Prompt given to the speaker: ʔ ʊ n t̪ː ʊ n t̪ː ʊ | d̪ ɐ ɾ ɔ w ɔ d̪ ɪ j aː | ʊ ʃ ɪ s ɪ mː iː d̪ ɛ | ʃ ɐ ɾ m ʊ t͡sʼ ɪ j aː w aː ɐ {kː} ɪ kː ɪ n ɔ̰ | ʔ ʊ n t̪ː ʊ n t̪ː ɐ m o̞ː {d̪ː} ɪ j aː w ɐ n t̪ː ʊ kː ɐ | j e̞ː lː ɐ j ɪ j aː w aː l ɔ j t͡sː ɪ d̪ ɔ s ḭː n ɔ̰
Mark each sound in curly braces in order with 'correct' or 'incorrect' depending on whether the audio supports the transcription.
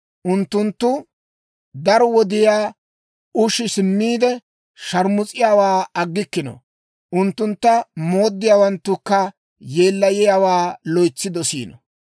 incorrect: ɡː, correct

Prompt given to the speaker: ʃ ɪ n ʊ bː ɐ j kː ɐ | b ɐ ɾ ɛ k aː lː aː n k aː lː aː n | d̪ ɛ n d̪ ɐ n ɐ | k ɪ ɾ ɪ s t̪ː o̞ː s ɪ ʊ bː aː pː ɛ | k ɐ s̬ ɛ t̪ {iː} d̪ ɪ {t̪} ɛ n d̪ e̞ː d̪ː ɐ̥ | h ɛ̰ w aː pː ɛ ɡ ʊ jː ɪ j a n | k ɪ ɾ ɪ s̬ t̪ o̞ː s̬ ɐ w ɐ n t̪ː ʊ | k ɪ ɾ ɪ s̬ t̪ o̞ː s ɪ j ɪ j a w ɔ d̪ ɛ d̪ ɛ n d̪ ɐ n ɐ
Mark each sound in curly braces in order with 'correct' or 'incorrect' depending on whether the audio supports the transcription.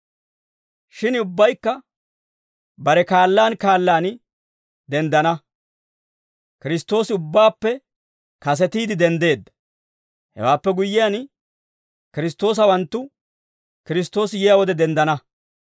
correct, incorrect: d̪

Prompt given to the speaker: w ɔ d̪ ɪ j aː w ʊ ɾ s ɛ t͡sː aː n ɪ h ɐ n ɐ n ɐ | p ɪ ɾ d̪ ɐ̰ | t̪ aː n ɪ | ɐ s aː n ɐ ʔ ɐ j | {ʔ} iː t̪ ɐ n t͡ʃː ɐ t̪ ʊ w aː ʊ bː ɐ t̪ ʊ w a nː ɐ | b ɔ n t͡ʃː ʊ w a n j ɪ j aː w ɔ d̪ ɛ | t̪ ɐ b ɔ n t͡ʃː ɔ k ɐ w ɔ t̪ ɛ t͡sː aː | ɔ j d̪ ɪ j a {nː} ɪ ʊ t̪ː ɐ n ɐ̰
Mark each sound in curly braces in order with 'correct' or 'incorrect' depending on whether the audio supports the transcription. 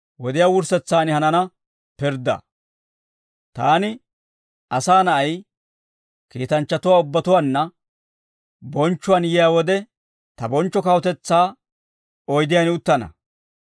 incorrect: k, incorrect: n

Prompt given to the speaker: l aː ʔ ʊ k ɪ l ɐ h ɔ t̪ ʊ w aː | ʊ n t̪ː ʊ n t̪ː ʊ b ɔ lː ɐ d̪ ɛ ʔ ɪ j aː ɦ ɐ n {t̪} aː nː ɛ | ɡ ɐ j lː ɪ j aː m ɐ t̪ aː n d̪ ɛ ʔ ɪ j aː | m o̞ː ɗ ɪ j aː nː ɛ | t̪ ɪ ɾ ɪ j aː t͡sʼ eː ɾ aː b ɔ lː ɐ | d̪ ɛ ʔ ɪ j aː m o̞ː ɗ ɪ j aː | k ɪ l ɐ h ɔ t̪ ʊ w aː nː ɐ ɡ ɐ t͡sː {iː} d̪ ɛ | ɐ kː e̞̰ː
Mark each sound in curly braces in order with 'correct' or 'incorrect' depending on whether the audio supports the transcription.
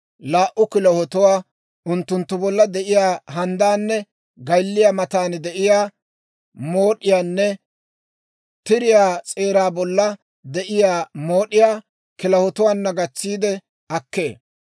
incorrect: d̪, correct

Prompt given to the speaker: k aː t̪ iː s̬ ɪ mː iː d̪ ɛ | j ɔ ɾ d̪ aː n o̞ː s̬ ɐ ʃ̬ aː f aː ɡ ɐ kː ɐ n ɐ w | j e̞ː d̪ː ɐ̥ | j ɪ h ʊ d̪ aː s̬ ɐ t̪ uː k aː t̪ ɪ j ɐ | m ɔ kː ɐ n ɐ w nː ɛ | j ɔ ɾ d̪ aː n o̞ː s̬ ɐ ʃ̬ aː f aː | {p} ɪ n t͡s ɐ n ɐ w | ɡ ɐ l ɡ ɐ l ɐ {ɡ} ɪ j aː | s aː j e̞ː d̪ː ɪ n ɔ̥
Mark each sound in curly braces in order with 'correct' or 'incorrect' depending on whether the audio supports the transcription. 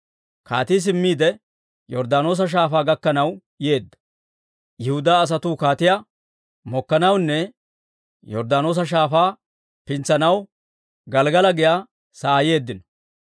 correct, correct

